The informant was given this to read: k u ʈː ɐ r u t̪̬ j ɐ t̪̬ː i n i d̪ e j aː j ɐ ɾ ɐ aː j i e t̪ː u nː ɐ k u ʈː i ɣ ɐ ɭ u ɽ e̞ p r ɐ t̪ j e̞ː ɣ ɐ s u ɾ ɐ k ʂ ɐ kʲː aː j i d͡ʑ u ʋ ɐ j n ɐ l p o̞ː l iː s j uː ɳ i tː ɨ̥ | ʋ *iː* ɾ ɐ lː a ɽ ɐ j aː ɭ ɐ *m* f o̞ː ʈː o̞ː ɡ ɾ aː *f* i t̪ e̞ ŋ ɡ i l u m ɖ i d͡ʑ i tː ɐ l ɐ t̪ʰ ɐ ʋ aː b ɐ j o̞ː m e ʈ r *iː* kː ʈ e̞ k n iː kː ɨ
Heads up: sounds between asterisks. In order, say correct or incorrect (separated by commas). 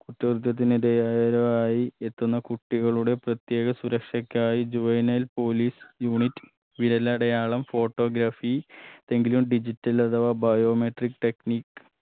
incorrect, correct, correct, incorrect